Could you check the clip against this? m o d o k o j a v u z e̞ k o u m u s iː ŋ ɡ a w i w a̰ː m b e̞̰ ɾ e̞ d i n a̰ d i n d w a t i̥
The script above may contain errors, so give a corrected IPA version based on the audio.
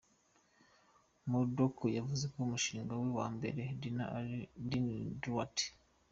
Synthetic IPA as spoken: m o d o k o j a v u z e̞ k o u m u ʃ iː ŋ ɡ a w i w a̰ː m b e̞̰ ɾ e̞ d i n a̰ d i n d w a t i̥